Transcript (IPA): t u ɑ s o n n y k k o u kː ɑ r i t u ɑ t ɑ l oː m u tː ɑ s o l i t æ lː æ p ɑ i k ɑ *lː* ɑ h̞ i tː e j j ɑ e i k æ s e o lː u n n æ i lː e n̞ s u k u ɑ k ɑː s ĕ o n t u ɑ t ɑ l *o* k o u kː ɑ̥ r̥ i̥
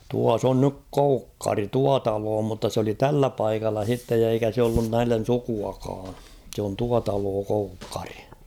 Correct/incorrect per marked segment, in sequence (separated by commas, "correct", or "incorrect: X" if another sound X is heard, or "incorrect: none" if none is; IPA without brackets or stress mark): correct, incorrect: oː